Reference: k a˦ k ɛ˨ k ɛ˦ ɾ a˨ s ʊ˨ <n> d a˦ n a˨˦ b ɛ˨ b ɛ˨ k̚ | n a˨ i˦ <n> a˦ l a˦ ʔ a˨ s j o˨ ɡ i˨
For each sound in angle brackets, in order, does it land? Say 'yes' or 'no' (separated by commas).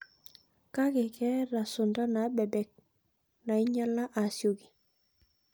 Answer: yes, no